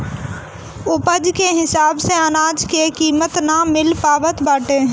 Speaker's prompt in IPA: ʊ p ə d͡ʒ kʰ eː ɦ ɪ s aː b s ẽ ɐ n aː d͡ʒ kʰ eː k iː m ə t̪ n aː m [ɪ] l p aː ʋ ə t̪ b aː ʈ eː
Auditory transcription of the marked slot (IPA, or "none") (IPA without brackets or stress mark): ɪ